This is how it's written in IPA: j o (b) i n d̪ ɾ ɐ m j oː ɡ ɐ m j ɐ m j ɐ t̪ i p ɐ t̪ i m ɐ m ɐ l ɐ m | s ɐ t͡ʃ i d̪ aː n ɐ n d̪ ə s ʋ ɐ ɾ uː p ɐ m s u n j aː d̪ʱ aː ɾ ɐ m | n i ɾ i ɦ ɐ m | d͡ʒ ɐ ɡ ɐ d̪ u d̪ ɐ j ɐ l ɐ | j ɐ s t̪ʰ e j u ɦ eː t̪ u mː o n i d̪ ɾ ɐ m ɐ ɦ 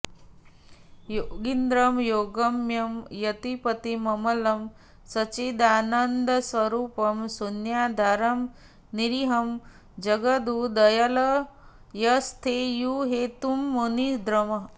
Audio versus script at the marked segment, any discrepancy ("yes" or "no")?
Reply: yes